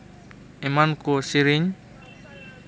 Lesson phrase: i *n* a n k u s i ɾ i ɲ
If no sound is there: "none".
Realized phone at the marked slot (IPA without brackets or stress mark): m